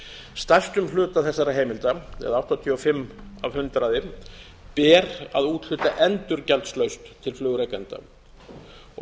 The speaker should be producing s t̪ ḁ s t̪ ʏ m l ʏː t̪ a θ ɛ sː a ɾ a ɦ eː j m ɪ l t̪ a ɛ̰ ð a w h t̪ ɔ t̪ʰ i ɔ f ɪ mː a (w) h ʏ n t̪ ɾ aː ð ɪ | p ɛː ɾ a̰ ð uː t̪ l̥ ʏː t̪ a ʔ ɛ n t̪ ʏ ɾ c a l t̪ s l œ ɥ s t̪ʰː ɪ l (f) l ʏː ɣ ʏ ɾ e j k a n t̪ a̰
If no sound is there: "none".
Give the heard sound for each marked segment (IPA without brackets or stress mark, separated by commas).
v, f